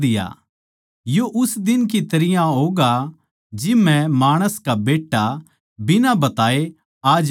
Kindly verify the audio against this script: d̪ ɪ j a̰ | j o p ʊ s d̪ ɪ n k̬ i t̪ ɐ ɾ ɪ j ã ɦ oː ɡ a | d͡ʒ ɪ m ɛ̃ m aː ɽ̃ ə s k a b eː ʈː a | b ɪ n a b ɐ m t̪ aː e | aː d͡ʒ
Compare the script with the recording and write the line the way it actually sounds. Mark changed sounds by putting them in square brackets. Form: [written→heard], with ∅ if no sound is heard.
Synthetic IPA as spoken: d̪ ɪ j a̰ | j o [p→ʔ] ʊ s d̪ ɪ n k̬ i t̪ ɐ ɾ ɪ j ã ɦ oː ɡ a | d͡ʒ ɪ m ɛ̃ m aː ɽ̃ ə s k a b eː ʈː a | b ɪ n a b ɐ [m→∅] t̪ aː e | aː d͡ʒ

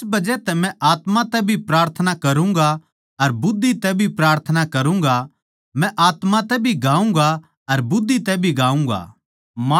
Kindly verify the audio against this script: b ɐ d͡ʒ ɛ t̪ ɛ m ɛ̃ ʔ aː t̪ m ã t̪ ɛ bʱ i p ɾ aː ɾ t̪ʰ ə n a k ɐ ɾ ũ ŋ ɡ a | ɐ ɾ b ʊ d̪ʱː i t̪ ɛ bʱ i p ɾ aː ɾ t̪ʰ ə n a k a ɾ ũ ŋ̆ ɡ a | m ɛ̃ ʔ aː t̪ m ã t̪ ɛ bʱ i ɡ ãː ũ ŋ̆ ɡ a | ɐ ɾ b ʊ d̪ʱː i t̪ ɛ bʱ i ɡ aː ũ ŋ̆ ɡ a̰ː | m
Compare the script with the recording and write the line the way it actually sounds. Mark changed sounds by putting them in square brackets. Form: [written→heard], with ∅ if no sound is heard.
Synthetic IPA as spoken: b ɐ d͡ʒ ɛ t̪ ɛ m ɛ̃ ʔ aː t̪ m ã t̪ ɛ bʱ i p ɾ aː ɾ t̪ʰ ə n a k ɐ ɾ ũ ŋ ɡ a | ɐ ɾ b ʊ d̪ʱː i t̪ ɛ bʱ i p ɾ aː ɾ t̪ʰ ə n a k [a→ɐ] ɾ ũ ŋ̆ ɡ a | m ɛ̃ ʔ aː t̪ m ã t̪ ɛ bʱ i ɡ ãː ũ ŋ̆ ɡ a | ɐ ɾ b ʊ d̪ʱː i t̪ ɛ bʱ i ɡ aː ũ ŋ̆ ɡ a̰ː | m

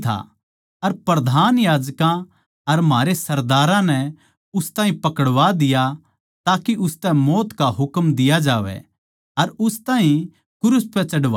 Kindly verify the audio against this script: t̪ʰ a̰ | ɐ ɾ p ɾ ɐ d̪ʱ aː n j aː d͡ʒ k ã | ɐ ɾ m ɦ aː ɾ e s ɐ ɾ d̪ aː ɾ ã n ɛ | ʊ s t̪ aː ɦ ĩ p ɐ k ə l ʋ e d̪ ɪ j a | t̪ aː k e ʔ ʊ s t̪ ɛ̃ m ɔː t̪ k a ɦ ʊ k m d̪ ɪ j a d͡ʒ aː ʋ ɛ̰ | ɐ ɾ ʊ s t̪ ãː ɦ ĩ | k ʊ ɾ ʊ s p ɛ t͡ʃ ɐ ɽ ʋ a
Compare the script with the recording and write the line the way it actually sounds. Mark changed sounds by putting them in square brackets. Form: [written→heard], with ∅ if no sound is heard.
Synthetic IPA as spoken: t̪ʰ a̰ | ɐ ɾ p ɾ ɐ d̪ʱ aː n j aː d͡ʒ k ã | ɐ ɾ m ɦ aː ɾ e s ɐ ɾ d̪ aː ɾ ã n ɛ | ʊ s t̪ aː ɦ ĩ p ɐ k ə [l→ɽ] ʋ [e→a] d̪ ɪ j a | t̪ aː k [e→i] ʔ ʊ s t̪ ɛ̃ m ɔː t̪ k a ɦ ʊ k m d̪ ɪ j a d͡ʒ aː ʋ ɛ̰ | ɐ ɾ ʊ s t̪ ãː ɦ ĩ | k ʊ ɾ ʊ s p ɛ t͡ʃ ɐ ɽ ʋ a

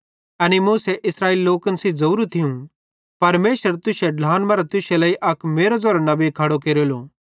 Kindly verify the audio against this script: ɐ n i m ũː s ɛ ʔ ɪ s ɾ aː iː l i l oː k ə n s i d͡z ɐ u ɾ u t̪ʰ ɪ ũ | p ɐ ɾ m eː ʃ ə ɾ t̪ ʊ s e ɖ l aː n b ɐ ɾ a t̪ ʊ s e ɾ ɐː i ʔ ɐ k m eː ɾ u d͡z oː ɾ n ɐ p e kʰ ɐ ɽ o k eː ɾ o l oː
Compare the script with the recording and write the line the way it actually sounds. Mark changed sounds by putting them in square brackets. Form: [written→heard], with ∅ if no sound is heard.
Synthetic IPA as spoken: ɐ n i m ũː s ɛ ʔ ɪ s ɾ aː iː l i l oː k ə n s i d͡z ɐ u ɾ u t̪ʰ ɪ ũ | p ɐ ɾ m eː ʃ ə ɾ t̪ ʊ s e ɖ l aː n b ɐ ɾ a t̪ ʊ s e [ɾ→l] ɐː i ʔ ɐ k m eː ɾ [u→o] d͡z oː ɾ n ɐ [p→b] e kʰ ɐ ɽ o k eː ɾ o l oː

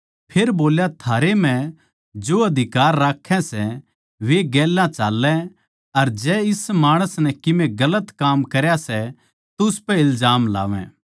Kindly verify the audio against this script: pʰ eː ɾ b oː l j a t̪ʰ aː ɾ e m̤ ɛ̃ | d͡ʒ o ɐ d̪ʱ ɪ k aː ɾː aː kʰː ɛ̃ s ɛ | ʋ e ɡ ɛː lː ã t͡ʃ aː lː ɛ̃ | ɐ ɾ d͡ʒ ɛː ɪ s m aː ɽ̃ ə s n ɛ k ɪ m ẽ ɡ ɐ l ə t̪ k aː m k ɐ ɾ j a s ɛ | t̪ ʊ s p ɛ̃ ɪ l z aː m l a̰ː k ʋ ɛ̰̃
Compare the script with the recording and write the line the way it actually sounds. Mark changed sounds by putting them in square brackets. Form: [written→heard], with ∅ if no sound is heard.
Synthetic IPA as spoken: pʰ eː ɾ b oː l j a t̪ʰ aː ɾ e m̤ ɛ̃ | d͡ʒ o ɐ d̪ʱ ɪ k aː ɾː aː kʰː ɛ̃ s ɛ | ʋ e ɡ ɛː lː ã t͡ʃ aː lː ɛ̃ | ɐ ɾ d͡ʒ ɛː ɪ s m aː ɽ̃ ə s n ɛ k ɪ m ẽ ɡ ɐ l ə t̪ k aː m k ɐ ɾ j a s ɛ | t̪ ʊ s p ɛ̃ ɪ l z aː m l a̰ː [k→∅] ʋ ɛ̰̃

